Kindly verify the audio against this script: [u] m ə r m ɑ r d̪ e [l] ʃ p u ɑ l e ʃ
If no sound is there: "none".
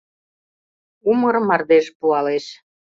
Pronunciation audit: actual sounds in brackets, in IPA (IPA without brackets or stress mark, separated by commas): u, none